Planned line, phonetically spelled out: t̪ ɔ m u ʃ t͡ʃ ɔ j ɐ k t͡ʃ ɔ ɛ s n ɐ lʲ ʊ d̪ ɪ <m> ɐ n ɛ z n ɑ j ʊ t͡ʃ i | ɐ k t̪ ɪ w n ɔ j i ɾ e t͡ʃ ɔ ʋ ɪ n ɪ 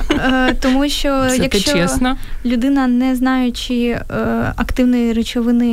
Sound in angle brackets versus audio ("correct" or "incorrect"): incorrect